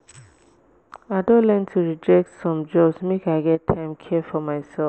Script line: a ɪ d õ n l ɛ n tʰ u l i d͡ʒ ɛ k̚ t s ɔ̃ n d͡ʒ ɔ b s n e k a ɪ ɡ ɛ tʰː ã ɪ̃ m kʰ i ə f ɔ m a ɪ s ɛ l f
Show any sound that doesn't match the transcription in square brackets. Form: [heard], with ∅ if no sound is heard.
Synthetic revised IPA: a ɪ d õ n l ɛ n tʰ u [ɹ] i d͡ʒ ɛ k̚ t s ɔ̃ [m] d͡ʒ ɔ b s [m] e k a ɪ ɡ ɛ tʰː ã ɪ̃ m kʰ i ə f ɔ m a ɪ s ɛ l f